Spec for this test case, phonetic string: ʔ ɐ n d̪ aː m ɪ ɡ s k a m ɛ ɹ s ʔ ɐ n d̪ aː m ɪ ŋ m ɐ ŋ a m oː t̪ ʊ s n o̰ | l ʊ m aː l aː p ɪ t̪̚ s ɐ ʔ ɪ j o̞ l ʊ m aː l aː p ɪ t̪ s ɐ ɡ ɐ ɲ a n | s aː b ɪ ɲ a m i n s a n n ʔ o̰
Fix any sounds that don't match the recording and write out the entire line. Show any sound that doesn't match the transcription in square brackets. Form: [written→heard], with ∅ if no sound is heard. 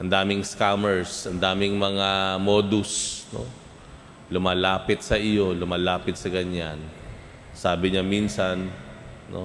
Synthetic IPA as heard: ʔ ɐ n d̪ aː m ɪ [ɡ→ŋ] s k a m ɛ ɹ s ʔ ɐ n d̪ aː m ɪ ŋ m ɐ ŋ a m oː [t̪→d̪] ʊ s n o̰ | l ʊ m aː l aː p ɪ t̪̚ s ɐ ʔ ɪ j o̞ l ʊ m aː l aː p ɪ t̪ s ɐ ɡ ɐ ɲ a n | s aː b ɪ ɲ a m i n s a n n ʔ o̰